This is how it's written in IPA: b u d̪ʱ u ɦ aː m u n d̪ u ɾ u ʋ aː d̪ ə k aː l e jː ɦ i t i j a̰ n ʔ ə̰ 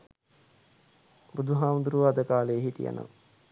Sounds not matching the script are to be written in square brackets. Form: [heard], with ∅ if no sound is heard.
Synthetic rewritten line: b u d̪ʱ u ɦ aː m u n d̪ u ɾ u ʋ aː d̪ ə k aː l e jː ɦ i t i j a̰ n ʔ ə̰